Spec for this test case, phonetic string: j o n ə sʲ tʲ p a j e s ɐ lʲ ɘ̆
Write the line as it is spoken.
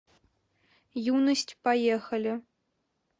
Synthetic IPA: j u n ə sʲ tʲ p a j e x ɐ lʲ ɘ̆